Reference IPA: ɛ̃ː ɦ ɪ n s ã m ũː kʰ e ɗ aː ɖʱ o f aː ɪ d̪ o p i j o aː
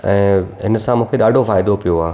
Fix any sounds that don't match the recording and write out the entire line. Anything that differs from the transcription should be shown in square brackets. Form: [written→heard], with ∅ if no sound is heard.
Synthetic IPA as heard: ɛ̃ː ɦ ɪ n s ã m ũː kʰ e ɗ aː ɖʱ o f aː ɪ d̪ o p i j o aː